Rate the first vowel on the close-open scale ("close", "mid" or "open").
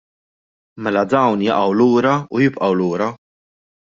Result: mid